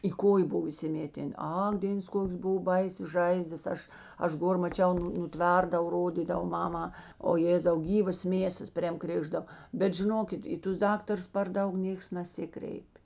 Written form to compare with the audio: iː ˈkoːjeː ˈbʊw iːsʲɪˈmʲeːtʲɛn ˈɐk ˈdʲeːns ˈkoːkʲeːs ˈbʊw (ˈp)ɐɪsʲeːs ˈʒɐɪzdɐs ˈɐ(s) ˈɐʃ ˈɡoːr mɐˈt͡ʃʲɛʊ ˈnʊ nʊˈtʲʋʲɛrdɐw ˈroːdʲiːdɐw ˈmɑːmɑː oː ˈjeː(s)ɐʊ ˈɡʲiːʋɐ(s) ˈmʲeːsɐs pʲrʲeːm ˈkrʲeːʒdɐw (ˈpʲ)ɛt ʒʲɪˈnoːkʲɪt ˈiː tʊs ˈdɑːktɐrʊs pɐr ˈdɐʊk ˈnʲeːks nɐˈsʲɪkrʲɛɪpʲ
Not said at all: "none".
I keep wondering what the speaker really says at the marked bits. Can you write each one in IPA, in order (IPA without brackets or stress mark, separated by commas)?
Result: b, ʃ, z, s, bʲ